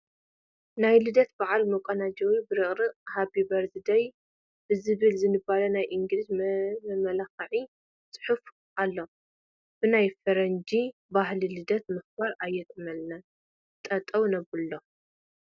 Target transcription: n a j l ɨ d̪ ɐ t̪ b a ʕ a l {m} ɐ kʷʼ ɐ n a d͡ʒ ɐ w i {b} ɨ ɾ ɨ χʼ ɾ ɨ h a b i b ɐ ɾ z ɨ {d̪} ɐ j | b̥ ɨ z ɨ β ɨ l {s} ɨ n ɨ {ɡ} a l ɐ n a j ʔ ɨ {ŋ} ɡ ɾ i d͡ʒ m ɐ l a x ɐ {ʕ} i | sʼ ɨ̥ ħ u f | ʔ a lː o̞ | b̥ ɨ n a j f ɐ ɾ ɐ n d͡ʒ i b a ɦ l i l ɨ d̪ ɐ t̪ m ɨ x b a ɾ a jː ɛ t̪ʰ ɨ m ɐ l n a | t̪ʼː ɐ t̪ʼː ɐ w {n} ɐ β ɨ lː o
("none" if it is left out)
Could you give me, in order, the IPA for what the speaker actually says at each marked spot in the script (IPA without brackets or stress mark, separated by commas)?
m, b, d̪, z, b, ŋ, ʕ, n